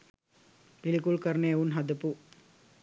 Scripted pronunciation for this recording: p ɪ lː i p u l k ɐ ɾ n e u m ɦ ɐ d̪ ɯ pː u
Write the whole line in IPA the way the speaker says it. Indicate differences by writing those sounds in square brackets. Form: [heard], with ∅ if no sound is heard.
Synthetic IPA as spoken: p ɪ [l] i [k] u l k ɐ ɾ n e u [n] ɦ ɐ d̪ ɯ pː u